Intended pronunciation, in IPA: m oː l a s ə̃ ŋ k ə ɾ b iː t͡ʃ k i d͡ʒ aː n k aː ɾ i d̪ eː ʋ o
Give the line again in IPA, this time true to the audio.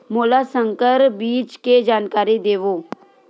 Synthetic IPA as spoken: m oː l a s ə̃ ŋ k ə ɾ b iː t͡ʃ k e d͡ʒ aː n k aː ɾ i d̪ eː ʋ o